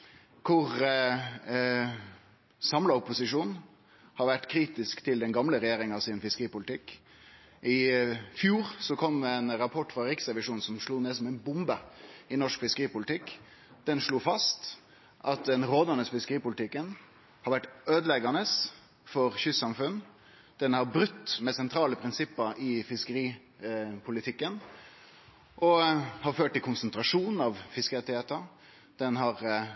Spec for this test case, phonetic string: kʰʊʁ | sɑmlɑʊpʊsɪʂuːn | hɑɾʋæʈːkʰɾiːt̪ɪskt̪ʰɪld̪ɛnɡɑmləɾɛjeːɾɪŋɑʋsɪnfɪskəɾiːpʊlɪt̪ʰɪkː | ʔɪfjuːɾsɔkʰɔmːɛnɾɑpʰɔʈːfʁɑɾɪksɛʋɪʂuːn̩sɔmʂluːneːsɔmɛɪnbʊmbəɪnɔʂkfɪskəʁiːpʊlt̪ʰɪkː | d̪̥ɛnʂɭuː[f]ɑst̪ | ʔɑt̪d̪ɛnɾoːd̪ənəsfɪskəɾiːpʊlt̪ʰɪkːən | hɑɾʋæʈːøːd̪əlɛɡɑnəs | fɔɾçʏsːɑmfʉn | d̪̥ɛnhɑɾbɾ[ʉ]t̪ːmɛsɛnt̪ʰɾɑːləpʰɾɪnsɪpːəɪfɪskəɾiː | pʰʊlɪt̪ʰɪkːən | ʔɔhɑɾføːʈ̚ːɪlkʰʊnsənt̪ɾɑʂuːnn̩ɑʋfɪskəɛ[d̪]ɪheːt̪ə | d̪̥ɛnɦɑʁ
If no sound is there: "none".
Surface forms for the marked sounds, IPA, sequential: f, ʉ, t̪

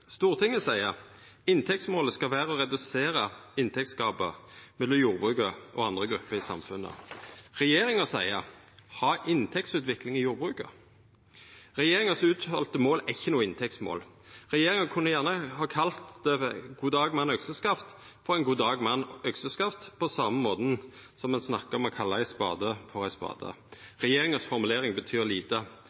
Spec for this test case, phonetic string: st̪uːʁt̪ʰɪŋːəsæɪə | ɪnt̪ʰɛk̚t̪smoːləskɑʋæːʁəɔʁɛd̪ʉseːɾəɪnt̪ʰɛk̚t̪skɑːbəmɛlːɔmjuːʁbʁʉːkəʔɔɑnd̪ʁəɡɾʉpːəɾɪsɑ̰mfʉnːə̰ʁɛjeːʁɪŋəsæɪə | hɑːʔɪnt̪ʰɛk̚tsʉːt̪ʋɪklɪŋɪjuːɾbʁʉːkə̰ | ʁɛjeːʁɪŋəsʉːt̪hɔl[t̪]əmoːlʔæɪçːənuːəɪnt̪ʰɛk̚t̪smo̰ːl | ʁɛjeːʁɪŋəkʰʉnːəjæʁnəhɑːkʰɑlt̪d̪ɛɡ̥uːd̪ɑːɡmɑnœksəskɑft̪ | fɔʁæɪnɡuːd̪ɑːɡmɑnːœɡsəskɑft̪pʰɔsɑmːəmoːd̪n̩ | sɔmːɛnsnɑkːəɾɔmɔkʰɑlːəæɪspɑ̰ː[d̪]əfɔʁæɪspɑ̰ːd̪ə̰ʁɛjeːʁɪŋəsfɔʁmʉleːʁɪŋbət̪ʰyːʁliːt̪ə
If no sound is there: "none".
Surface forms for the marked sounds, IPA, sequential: t̪, d̪

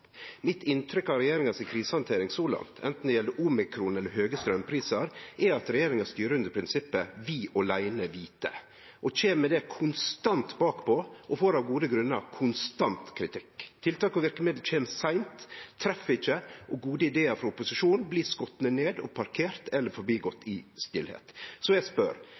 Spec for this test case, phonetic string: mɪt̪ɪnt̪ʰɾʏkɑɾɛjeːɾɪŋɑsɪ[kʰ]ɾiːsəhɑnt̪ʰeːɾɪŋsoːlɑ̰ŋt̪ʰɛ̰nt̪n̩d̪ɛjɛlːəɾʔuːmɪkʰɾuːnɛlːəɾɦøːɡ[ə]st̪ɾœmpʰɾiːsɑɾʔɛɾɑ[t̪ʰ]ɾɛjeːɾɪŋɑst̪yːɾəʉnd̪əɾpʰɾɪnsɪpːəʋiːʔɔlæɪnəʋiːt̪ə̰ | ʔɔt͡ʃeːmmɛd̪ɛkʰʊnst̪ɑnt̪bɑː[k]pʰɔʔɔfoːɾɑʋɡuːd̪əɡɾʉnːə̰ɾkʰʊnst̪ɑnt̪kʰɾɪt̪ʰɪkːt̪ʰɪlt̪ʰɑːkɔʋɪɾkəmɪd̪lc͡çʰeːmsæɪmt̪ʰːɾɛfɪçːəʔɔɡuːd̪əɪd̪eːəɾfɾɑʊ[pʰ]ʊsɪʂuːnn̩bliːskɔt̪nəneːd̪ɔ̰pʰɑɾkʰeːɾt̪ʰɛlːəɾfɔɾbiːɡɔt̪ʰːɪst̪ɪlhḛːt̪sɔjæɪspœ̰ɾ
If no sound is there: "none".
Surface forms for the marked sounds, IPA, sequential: kʰ, ə, t̪, k, p

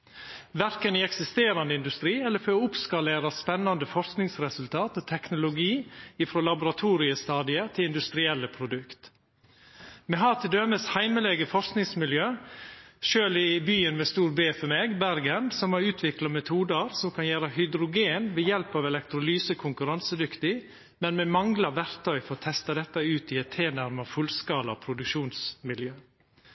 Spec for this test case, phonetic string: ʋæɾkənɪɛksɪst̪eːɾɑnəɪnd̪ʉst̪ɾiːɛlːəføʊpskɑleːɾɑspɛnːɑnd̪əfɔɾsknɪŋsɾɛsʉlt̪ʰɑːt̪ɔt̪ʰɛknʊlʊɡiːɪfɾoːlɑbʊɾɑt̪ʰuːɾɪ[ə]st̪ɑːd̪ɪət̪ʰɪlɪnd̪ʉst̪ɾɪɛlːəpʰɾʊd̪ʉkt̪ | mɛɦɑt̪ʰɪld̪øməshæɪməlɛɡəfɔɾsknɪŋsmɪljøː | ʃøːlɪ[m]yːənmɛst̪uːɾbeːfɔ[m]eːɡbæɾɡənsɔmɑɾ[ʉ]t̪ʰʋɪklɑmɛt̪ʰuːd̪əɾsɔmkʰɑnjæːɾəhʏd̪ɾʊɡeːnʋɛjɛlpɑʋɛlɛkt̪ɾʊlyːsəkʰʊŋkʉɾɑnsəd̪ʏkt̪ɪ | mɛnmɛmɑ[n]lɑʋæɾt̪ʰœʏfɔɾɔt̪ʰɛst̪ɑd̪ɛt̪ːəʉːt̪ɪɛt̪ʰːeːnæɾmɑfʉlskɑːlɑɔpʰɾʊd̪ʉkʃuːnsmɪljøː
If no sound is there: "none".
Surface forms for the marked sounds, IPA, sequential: ə, b, m, ʉː, ŋ

